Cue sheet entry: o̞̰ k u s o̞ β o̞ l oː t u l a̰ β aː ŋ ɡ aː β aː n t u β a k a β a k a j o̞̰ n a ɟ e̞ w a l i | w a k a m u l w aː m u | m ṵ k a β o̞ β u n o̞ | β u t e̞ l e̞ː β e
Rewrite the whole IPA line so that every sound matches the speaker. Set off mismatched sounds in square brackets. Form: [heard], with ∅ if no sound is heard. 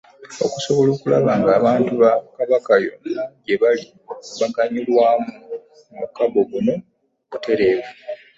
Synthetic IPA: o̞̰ k u s o̞ β o̞ l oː [k] u l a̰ β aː ŋ ɡ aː β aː n t u β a k a β a k a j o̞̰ n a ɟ e̞ [β] a l i | [β] a k a [ɲ] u l w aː m u | m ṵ k a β o̞ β u n o̞ | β u t e̞ [ɾ] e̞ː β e